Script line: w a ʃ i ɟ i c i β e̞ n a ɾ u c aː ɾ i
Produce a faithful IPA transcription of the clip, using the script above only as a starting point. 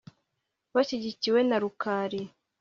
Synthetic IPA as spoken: β a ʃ i ɟ i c i w e̞ n a ɾ u k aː ɾ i